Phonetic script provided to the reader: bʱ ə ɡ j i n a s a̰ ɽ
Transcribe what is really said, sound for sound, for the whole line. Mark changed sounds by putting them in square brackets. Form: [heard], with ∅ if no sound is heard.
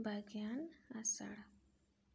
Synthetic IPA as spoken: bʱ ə ɡ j [a] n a s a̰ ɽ